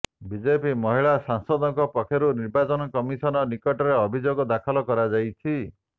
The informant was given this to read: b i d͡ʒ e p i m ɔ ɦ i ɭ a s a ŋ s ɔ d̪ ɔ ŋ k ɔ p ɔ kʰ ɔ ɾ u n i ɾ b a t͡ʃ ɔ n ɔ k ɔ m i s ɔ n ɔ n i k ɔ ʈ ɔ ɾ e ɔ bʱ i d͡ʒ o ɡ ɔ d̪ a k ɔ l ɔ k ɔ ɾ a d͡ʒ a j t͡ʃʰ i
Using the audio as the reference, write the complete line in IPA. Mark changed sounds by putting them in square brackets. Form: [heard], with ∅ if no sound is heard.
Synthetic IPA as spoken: b i d͡ʒ e p i m ɔ ɦ i ɭ a s a ŋ s ɔ d̪ ɔ ŋ k ɔ p ɔ kʰ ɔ ɾ u n i ɾ b a t͡ʃ ɔ n ɔ k ɔ m i s ɔ n ɔ n i k ɔ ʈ ɔ ɾ e ɔ bʱ i d͡ʒ o ɡ ɔ d̪ a [kʰ] ɔ l ɔ k ɔ ɾ a d͡ʒ a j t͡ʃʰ i

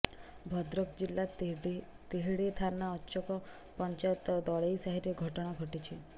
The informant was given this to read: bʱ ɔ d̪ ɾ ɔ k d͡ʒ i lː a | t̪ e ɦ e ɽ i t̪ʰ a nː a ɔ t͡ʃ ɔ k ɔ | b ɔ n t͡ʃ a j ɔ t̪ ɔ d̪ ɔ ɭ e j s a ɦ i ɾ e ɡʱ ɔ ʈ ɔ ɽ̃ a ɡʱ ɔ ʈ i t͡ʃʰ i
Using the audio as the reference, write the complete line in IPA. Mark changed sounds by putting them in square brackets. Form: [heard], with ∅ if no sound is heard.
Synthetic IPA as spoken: bʱ ɔ d̪ ɾ ɔ k d͡ʒ i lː a | t̪ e ɦ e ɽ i t̪ʰ a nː a ɔ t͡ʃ ɔ k ɔ | [p] ɔ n t͡ʃ a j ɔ t̪ ɔ d̪ ɔ ɭ e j s a ɦ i ɾ e ɡʱ ɔ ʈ ɔ ɽ̃ a ɡʱ ɔ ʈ i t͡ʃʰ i

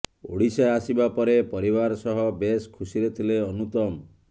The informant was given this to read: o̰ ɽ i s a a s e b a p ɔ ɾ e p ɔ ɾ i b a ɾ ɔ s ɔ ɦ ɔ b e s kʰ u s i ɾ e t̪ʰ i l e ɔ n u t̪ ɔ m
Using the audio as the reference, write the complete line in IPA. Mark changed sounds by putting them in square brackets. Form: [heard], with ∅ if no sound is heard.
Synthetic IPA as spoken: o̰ ɽ i s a a s [i] b a p ɔ ɾ e p ɔ ɾ i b a ɾ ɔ s ɔ ɦ ɔ b e s kʰ u s i ɾ e t̪ʰ i l e ɔ n u t̪ ɔ m

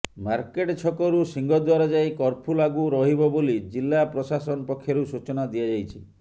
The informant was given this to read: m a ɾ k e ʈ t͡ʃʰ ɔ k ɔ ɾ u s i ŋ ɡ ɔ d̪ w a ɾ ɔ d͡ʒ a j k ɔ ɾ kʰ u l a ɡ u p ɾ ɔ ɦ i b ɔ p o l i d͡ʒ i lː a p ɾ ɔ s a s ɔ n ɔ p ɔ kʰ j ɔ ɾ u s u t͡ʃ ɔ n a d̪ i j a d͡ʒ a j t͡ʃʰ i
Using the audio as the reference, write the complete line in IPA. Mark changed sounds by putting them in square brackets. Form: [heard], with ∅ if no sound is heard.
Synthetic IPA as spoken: m a ɾ k e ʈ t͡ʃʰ ɔ k ɔ ɾ u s i ŋ ɡ ɔ d̪ w a ɾ ɔ d͡ʒ a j k ɔ ɾ [pʰ] u l a ɡ u [∅] ɾ ɔ ɦ i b ɔ [b] o l i d͡ʒ i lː a p ɾ ɔ s a s ɔ n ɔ p ɔ kʰ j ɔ ɾ u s u t͡ʃ ɔ n a d̪ i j a d͡ʒ a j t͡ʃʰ i

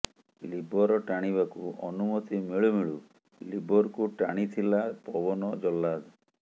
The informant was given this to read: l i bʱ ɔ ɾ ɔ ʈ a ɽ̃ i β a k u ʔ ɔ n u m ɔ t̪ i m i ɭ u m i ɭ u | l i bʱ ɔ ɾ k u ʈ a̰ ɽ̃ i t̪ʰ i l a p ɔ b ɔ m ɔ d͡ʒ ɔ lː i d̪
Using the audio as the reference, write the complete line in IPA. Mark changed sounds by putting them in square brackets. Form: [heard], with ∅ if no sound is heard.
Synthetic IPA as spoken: l i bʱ ɔ ɾ ɔ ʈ a ɽ̃ i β a k u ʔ ɔ n u m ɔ t̪ i m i ɭ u m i ɭ u | l i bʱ ɔ ɾ k u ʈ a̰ ɽ̃ i t̪ʰ i l a p ɔ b ɔ [n] ɔ d͡ʒ ɔ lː [a] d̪

